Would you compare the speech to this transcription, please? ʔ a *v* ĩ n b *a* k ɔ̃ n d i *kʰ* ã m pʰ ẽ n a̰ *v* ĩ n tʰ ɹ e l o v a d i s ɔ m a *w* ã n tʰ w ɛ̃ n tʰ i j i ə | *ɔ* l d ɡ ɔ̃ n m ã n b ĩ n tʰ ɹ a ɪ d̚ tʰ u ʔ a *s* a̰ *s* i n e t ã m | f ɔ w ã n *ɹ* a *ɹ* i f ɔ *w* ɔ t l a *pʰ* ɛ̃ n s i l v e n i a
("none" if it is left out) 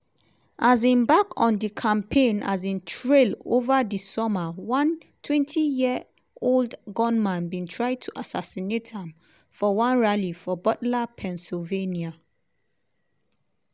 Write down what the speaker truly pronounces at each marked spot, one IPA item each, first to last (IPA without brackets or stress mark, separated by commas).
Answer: z, a, kʰ, z, w, o, s, s, ɹ, l, b, pʰ